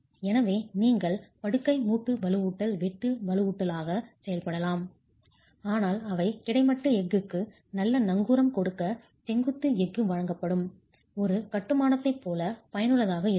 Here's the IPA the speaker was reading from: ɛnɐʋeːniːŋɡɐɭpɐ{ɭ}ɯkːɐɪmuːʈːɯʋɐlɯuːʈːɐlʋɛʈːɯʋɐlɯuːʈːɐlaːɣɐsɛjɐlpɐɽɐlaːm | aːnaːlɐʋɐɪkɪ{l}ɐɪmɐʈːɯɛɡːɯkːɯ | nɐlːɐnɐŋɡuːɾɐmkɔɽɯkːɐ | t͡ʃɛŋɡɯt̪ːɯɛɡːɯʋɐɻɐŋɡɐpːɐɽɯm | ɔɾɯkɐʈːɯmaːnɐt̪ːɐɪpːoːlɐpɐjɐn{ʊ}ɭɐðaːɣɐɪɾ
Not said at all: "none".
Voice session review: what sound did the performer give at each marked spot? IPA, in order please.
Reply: ɽ, ɽ, ɯ

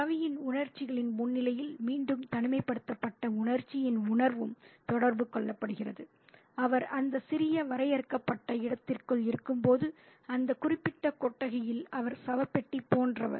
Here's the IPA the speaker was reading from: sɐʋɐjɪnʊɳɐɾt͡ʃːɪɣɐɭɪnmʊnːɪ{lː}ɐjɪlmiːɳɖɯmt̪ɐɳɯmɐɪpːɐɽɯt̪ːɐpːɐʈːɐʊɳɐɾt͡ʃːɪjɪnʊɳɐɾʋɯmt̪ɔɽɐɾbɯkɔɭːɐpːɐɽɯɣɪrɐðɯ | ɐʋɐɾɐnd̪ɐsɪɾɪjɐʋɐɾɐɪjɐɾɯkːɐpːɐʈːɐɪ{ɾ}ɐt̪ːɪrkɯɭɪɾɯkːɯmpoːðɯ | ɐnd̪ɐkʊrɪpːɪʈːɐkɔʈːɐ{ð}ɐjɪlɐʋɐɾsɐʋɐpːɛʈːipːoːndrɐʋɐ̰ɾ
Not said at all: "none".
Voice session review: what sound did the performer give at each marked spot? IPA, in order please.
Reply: l, ɽ, ɣ

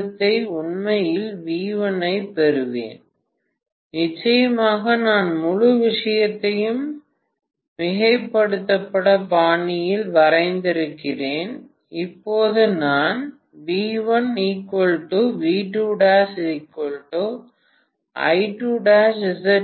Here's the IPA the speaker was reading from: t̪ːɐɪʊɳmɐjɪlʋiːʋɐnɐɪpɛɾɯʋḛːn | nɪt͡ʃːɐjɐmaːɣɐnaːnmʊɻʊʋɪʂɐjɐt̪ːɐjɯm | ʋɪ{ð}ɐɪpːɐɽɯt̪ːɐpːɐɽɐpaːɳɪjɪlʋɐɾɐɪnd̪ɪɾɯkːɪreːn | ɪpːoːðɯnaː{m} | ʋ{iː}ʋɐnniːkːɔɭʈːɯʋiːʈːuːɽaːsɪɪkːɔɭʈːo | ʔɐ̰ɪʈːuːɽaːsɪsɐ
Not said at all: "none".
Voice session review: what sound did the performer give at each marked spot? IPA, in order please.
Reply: ɣ, n, iː

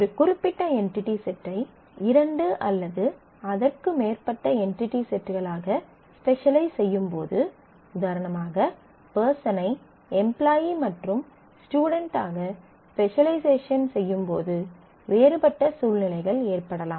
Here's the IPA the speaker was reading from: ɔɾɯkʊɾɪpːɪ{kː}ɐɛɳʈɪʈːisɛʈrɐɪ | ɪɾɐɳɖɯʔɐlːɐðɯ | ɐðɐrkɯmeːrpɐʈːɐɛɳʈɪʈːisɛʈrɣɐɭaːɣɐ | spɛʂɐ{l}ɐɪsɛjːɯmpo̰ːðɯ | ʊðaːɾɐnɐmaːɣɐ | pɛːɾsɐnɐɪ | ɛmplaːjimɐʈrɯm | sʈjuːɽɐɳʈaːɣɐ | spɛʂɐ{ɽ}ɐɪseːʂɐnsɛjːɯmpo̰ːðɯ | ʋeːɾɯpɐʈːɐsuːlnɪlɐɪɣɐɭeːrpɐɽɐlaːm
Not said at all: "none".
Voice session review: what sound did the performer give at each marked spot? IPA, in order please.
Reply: ʈː, l, l

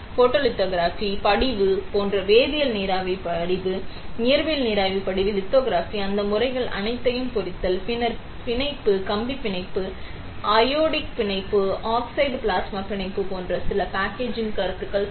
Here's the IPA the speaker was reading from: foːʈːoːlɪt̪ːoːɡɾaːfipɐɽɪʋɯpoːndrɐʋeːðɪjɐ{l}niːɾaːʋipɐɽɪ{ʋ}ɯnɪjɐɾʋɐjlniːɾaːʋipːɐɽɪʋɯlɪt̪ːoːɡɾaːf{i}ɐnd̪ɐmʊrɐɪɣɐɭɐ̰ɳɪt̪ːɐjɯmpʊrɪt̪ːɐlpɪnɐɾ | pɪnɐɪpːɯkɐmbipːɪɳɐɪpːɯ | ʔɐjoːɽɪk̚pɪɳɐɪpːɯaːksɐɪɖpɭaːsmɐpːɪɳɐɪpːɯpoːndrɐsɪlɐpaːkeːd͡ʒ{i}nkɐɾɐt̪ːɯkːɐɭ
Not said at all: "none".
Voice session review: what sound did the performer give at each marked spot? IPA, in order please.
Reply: l, ʋ, i, ɪ

